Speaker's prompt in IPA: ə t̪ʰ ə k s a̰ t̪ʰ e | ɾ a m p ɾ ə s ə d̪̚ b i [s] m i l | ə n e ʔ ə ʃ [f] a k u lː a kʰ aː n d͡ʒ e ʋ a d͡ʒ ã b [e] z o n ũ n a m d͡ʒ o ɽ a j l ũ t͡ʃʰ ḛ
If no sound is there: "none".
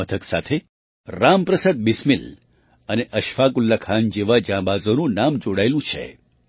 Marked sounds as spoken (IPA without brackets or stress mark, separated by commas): s, f, a